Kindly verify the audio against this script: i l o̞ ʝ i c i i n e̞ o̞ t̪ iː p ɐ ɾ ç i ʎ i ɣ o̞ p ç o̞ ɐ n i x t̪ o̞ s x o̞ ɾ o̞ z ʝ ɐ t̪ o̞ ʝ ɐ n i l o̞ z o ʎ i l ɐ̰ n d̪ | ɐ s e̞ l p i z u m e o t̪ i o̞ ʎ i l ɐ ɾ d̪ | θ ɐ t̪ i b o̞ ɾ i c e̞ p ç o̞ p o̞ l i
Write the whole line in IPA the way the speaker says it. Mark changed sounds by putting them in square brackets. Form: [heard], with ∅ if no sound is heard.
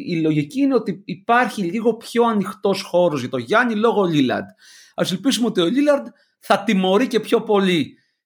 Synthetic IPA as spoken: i l o̞ ʝ i c i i n e̞ o̞ t̪ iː p ɐ ɾ ç i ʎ i ɣ o̞ p ç o̞ ɐ n i x t̪ o̞ s x o̞ ɾ o̞ z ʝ ɐ t̪ o̞ ʝ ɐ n i l o̞ [ɣ] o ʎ i l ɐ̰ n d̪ | ɐ s e̞ l p i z u m e o t̪ i o̞ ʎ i l ɐ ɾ d̪ | θ ɐ t̪ i [m] o̞ ɾ i c e̞ p ç o̞ p o̞ l i